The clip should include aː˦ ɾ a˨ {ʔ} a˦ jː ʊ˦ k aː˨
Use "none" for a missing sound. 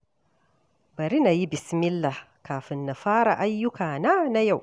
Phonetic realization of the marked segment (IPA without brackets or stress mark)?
ʔ